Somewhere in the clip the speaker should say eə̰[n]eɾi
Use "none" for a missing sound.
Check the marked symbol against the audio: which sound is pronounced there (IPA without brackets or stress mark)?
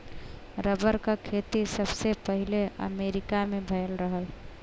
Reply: m